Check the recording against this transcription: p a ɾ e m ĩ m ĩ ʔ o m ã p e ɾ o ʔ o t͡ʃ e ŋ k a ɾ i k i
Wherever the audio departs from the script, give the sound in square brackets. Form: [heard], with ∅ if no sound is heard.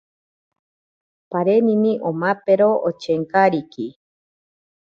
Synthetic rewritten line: p a ɾ e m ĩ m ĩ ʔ o m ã p e ɾ o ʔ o t͡ʃ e ŋ k a ɾ i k i